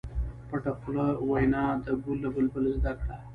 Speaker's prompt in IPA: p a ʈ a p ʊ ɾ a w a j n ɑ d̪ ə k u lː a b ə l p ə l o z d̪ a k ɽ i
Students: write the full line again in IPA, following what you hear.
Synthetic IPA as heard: p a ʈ a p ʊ l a w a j n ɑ d̪ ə ɡ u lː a b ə l b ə l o z d̪ a k ɽ a